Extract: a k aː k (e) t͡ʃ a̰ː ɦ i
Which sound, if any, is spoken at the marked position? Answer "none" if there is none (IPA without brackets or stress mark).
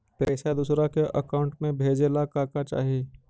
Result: a